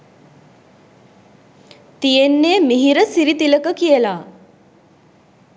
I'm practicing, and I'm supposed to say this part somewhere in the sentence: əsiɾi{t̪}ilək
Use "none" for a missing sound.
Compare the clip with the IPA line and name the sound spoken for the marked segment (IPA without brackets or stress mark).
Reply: t̪